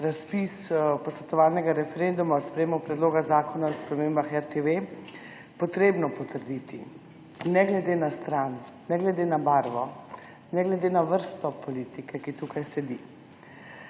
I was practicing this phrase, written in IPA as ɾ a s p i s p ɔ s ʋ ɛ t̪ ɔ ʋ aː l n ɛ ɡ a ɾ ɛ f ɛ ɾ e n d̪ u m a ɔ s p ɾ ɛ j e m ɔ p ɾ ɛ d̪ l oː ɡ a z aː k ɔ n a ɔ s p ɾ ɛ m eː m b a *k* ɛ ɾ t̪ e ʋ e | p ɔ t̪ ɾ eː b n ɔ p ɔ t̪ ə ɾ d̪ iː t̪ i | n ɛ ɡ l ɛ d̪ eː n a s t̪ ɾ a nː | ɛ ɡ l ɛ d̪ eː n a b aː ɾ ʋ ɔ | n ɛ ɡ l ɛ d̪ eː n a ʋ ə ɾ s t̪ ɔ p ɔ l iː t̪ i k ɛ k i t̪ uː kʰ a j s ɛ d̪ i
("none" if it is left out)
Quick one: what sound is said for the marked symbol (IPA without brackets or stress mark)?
x